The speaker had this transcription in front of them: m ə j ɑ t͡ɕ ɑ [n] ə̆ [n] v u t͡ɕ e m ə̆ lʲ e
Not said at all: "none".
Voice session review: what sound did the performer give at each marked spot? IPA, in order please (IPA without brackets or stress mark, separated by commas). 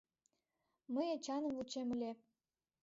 n, m